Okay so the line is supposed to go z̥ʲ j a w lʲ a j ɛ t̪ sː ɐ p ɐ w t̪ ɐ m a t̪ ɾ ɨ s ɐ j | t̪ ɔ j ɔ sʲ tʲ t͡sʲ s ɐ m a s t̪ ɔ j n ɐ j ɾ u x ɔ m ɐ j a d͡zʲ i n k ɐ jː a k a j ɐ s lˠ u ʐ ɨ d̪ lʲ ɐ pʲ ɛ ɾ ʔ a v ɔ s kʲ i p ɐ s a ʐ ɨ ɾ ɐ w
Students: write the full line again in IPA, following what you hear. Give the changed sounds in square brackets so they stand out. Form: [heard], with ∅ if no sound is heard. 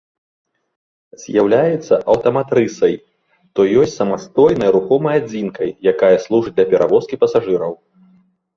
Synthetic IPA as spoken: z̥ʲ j a w lʲ a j ɛ t̪ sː ɐ [ʔ] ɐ w t̪ ɐ m a t̪ ɾ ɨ s ɐ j | t̪ ɔ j ɔ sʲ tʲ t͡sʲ s ɐ m a s t̪ ɔ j n ɐ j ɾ u x ɔ m ɐ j a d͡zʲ i n k ɐ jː a k a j ɐ s lˠ u ʐ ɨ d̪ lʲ ɐ pʲ ɛ ɾ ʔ a v ɔ s kʲ i p ɐ s a ʐ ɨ ɾ ɐ w